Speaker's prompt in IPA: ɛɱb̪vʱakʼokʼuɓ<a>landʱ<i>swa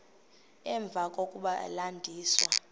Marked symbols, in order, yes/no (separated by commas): yes, no